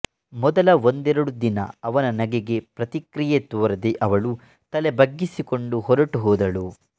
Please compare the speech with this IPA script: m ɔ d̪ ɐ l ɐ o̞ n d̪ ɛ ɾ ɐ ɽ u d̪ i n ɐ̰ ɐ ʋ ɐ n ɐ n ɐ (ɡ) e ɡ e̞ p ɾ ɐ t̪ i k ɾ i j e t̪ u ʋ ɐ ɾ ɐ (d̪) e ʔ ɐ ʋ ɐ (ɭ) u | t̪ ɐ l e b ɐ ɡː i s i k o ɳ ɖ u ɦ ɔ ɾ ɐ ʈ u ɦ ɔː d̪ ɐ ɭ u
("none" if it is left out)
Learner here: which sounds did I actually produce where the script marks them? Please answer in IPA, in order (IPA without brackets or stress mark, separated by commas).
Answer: ɡ, d̪, ɭ